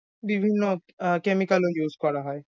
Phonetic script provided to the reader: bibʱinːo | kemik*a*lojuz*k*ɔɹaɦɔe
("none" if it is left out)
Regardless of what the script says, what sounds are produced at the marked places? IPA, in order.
a, k

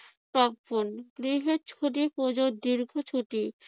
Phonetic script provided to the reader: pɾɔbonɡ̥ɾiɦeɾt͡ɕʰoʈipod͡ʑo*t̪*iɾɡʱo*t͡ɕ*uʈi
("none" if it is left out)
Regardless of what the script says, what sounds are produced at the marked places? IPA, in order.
d̪, t͡ɕʰ

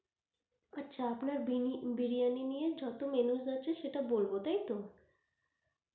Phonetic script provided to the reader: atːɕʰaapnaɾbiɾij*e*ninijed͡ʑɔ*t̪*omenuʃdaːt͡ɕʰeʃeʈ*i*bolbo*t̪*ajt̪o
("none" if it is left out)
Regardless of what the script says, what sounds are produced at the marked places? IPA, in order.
a, t̪, a, t̪

